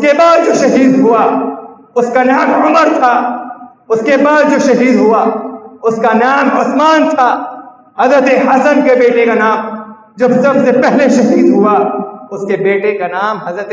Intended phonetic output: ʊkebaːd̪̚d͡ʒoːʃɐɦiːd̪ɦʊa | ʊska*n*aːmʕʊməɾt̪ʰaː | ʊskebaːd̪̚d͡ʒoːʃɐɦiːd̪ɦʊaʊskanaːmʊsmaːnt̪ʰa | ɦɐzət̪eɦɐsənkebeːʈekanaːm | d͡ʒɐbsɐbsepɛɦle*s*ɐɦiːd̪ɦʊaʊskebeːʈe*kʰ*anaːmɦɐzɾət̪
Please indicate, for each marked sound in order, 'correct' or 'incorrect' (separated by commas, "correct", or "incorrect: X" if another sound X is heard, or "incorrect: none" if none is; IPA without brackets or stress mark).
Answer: correct, incorrect: ʃ, incorrect: k